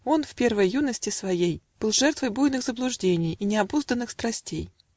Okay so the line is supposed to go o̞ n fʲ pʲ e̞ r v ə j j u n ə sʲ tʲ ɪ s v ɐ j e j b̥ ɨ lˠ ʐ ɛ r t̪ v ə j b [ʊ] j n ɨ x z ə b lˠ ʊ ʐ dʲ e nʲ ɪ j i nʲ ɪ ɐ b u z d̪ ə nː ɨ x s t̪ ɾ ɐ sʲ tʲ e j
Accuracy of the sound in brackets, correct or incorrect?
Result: incorrect: u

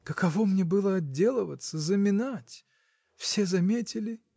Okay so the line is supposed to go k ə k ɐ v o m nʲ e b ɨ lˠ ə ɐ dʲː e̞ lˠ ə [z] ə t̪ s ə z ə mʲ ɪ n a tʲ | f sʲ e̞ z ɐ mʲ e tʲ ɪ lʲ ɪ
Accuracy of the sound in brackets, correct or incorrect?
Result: incorrect: v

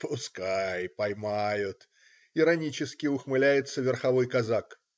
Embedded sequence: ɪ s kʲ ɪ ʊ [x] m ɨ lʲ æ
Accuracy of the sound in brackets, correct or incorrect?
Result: correct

